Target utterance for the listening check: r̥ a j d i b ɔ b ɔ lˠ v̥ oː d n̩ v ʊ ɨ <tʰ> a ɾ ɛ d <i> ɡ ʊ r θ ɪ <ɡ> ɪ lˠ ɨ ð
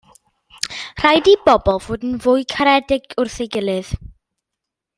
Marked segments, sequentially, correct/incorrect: incorrect, incorrect, correct

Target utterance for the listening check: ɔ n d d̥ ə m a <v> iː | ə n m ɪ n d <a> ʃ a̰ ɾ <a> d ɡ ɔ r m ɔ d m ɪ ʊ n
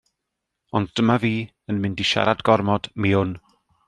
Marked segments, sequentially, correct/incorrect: correct, incorrect, correct

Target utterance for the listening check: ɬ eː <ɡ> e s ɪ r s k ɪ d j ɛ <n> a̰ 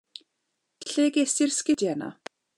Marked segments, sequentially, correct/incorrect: correct, correct

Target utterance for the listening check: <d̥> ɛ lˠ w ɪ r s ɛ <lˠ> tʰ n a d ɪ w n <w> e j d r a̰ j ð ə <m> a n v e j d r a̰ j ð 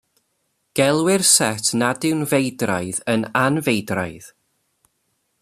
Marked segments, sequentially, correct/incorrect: incorrect, incorrect, incorrect, incorrect

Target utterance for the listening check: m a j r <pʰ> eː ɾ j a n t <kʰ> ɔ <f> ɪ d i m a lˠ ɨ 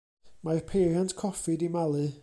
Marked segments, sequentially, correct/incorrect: correct, correct, correct

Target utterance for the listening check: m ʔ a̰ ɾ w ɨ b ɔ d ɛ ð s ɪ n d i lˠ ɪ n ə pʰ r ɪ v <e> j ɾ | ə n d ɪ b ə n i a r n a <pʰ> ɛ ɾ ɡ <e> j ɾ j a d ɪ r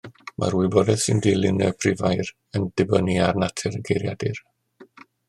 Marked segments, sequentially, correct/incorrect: incorrect, incorrect, correct

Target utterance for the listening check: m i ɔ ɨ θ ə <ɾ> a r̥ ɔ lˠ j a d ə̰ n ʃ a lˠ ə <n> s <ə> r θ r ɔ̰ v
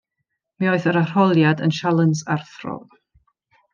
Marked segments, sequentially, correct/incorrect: correct, correct, incorrect

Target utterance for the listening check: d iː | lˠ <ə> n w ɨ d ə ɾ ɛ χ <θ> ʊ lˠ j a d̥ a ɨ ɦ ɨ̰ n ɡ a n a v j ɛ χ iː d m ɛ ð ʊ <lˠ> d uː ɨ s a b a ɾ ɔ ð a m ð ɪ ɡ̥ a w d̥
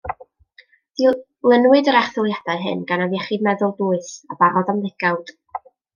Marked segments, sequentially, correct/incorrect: correct, correct, correct

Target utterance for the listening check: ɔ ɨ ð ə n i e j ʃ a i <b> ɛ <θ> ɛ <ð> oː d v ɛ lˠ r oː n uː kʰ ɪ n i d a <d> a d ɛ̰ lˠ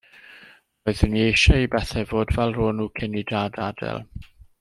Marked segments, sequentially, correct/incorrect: correct, correct, incorrect, correct

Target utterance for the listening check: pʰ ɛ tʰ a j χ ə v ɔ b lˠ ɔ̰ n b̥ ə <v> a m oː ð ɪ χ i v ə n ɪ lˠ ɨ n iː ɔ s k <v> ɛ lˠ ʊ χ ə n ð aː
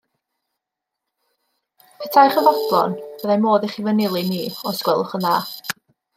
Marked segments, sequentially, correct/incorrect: incorrect, incorrect

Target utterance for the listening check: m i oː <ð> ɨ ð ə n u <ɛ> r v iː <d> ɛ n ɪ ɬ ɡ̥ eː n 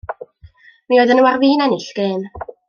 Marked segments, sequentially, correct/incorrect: incorrect, incorrect, incorrect

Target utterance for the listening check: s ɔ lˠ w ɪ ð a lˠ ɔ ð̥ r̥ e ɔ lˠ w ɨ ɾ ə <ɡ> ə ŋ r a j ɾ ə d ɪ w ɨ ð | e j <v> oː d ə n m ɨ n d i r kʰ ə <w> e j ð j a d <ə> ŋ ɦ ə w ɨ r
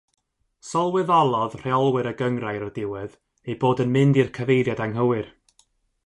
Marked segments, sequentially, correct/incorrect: correct, incorrect, incorrect, incorrect

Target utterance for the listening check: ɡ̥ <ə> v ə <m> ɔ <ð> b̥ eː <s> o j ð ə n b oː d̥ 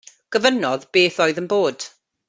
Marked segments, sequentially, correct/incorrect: correct, incorrect, correct, incorrect

